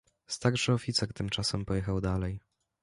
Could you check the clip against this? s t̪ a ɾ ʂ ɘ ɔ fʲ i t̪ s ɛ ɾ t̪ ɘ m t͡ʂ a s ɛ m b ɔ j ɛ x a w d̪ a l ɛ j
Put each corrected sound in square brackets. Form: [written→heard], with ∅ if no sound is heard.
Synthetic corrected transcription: s t̪ a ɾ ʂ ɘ ɔ fʲ i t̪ s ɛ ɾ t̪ ɘ m t͡ʂ a s ɛ m [b→p] ɔ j ɛ x a w d̪ a l ɛ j